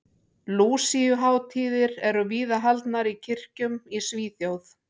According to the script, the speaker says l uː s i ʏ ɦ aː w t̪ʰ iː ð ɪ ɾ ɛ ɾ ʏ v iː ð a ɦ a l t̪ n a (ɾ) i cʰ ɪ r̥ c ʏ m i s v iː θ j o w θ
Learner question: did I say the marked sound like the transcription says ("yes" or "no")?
yes